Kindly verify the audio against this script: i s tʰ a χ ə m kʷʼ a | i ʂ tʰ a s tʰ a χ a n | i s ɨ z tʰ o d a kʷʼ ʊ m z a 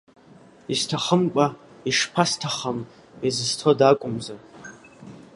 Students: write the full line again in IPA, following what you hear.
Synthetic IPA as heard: i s tʰ a χ ə m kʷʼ a | i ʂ pʰ a s tʰ a χ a m | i z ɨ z tʰ o d a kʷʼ ʊ m z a